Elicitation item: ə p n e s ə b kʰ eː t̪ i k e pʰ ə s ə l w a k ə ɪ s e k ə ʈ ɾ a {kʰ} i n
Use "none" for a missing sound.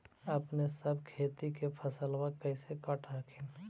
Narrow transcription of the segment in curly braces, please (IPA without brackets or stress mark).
kʰ